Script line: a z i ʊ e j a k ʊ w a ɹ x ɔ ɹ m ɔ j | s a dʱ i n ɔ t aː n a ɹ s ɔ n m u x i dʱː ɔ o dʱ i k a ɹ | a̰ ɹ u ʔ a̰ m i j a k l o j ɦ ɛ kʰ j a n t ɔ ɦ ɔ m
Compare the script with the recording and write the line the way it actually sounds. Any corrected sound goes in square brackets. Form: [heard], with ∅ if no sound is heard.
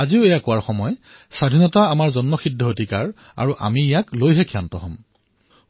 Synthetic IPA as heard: a z i ʊ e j a k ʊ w a ɹ x ɔ [∅] m ɔ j | s a dʱ i n ɔ t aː [m] a ɹ [z] ɔ n m [ɔ] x i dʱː ɔ o dʱ i k a ɹ | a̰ ɹ u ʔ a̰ m i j a k l o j ɦ ɛ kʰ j a n t ɔ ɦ ɔ m